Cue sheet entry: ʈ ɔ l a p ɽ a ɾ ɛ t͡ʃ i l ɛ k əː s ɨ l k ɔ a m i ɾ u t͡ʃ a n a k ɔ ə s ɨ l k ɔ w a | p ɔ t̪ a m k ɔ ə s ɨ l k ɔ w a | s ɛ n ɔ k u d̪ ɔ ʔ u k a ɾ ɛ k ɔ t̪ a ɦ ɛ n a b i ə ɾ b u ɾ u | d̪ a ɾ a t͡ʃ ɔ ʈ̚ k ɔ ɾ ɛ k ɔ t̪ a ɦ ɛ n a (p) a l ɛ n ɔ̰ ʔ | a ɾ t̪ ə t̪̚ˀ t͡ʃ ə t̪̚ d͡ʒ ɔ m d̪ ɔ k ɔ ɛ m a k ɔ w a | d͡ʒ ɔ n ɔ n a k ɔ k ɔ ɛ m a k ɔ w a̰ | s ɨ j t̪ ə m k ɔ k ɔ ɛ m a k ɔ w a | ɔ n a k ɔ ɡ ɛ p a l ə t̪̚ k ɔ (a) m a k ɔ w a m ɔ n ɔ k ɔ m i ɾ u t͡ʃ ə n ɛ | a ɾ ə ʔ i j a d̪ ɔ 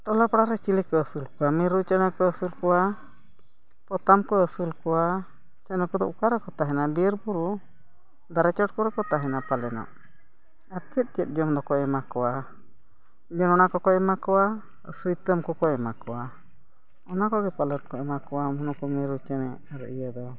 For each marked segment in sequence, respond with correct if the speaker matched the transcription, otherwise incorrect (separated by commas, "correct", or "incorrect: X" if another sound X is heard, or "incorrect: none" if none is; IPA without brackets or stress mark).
correct, incorrect: ɛ